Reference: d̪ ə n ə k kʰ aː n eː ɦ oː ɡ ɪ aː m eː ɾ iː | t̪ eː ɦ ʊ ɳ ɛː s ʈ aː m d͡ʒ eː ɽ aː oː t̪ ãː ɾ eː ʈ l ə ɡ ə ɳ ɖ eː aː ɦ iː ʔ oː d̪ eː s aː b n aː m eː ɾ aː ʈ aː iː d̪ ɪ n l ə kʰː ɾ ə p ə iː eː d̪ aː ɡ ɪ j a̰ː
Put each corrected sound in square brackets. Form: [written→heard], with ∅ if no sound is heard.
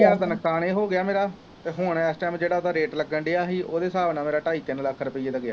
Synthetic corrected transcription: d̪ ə n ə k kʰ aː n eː ɦ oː ɡ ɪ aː m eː ɾ [iː→aː] | t̪ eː ɦ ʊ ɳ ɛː s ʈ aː m d͡ʒ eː ɽ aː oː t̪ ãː ɾ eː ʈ l ə ɡ ə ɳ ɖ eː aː ɦ iː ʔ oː d̪ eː s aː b n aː m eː ɾ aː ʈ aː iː [d̪→t̪] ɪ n l ə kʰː ɾ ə p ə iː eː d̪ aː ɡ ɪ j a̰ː